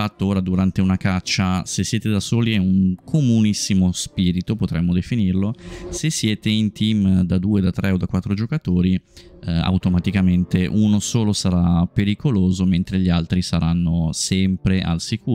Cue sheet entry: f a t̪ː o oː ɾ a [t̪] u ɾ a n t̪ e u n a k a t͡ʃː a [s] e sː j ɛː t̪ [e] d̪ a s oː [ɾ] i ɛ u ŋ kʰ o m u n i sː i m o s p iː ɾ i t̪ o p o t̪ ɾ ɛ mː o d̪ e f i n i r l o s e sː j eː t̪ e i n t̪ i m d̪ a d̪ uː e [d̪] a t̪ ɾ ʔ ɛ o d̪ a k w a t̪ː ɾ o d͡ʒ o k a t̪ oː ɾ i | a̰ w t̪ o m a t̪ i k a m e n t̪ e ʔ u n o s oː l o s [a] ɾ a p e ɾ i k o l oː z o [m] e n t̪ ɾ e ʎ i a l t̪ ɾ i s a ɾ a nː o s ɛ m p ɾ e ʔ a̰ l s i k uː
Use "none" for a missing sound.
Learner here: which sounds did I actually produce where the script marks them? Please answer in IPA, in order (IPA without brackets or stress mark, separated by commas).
d̪, s, e, l, d̪, a, m